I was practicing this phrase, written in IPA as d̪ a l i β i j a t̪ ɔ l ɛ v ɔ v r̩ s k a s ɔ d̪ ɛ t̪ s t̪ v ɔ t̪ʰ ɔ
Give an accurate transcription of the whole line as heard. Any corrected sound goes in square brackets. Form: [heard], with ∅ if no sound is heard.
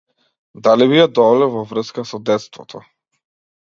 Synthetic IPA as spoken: d̪ a l i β i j a [d̪] ɔ l ɛ v ɔ v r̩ s k a s ɔ d̪ ɛ t̪ s t̪ v ɔ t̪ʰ ɔ